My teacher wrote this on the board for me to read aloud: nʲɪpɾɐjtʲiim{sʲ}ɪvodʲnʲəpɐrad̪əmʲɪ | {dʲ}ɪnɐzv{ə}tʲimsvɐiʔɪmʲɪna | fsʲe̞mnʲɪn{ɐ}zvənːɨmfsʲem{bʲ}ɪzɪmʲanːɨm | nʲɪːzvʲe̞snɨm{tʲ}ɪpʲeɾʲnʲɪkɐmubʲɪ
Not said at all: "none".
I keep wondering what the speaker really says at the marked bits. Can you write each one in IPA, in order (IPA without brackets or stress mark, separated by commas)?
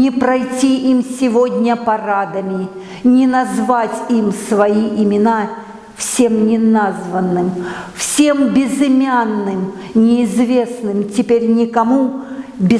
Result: sʲ, nʲ, a, a, bʲ, tʲ